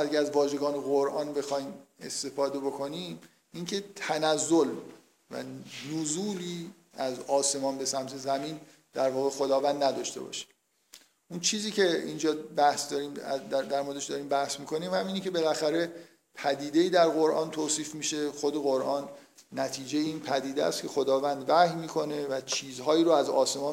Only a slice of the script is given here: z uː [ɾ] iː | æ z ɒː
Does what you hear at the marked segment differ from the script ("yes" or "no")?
yes